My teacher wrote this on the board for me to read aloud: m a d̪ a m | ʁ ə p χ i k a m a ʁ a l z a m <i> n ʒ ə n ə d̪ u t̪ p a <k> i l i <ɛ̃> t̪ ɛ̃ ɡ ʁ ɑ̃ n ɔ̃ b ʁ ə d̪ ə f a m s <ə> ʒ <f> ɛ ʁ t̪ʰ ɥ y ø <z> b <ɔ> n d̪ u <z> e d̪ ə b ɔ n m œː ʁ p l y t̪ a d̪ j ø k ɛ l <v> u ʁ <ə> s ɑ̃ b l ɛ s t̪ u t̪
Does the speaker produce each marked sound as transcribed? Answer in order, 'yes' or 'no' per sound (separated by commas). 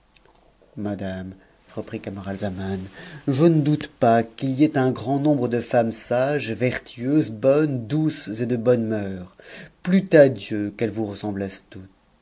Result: no, yes, no, no, no, yes, yes, no, yes, yes